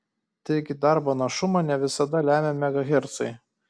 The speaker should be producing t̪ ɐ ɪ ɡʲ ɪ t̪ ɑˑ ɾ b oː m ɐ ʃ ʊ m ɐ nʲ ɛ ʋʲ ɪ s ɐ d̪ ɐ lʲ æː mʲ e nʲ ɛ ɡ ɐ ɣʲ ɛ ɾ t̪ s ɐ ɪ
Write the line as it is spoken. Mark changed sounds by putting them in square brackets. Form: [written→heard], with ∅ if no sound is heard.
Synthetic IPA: t̪ ɐ ɪ ɡʲ ɪ [t̪→d̪] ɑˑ ɾ b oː [m→n] ɐ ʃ ʊ m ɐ nʲ ɛ ʋʲ ɪ s ɐ d̪ ɐ lʲ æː mʲ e [nʲ→mʲ] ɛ ɡ ɐ ɣʲ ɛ ɾ t̪ s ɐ ɪ